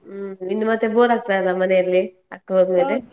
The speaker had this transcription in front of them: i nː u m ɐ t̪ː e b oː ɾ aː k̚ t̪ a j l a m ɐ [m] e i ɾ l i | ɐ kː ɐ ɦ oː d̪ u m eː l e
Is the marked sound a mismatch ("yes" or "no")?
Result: yes